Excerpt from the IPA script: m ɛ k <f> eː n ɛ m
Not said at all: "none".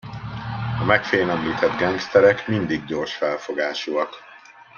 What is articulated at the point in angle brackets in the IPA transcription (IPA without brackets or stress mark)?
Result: f